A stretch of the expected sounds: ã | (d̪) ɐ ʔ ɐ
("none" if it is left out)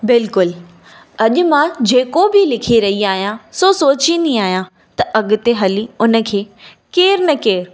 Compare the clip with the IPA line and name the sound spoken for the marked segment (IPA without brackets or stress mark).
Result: t̪